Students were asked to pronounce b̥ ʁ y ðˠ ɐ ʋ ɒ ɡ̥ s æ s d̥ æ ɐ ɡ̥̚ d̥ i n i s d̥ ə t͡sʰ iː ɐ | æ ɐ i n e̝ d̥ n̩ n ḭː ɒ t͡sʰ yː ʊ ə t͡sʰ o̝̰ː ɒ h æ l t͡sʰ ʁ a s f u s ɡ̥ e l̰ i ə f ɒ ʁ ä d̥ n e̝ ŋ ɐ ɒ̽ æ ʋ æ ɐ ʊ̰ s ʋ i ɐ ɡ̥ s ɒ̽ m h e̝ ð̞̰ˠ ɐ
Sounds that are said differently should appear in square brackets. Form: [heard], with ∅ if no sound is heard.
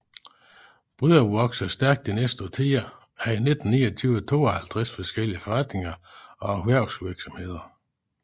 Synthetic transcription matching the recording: b̥ ʁ y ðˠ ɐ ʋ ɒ ɡ̥ s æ s d̥ æ ɐ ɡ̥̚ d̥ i n [e] s d̥ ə t͡sʰ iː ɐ | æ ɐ i n e̝ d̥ n̩ n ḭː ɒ t͡sʰ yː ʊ ə t͡sʰ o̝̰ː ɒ h æ l t͡sʰ ʁ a s f [ɒ] s ɡ̥ e l̰ i ə f ɒ ʁ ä d̥ n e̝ ŋ ɐ ɒ̽ æ ʋ æ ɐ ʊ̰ s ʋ i ɐ ɡ̥ s ɒ̽ m h e̝ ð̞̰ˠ ɐ